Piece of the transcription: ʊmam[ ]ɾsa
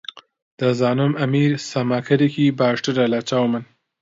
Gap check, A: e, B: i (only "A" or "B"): B